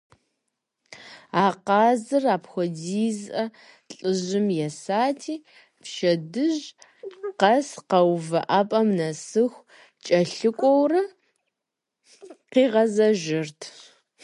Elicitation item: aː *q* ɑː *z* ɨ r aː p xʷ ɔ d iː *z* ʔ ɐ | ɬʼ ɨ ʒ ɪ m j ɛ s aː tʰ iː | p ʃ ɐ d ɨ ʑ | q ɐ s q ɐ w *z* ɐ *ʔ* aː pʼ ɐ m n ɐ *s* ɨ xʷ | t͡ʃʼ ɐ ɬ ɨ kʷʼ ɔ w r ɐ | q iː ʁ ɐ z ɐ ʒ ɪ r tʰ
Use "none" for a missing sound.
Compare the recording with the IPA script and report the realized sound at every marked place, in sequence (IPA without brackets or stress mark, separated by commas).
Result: q, z, z, v, ʔ, s